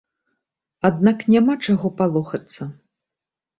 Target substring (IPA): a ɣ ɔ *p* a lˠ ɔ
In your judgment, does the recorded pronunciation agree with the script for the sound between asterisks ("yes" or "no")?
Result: yes